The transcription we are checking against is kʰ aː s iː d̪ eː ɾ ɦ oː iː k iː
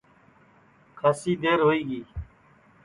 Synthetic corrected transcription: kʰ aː s iː d̪ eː ɾ ɦ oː iː ɡ iː